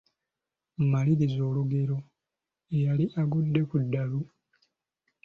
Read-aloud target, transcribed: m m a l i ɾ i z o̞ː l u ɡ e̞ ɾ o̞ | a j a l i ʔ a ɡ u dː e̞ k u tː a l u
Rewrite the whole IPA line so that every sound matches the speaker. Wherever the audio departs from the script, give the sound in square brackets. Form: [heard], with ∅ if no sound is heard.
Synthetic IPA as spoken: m m a l i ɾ i z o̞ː l u ɡ e̞ ɾ o̞ | [e] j a l i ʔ a ɡ u dː e̞ k u [dː] a l u